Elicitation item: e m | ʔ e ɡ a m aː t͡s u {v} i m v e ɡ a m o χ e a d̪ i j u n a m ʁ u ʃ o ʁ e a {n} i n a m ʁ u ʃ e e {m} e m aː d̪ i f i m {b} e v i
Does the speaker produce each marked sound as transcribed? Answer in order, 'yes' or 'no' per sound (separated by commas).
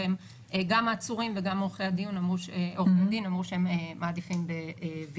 no, no, yes, yes